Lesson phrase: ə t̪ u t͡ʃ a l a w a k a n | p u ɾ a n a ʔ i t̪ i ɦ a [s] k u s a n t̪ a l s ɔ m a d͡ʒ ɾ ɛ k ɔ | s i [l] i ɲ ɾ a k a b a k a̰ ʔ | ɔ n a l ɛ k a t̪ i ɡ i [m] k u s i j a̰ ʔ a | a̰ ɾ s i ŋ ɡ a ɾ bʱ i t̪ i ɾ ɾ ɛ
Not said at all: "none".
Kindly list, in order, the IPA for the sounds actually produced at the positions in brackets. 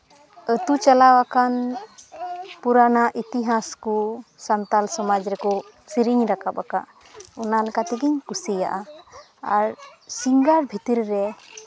s, ɾ, ɲ

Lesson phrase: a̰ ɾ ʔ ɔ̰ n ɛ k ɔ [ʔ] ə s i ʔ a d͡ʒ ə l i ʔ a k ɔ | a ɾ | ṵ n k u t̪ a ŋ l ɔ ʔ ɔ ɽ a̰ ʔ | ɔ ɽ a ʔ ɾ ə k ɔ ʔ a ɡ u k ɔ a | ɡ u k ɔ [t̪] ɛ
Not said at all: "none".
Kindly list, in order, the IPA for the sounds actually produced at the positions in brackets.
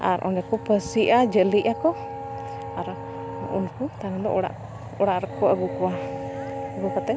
p, t̪

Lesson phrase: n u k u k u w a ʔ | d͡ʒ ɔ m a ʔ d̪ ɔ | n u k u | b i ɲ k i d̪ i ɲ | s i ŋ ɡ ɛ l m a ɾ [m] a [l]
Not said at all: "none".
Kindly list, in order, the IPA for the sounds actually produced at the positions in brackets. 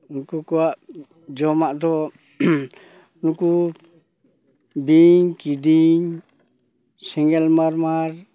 m, ɾ

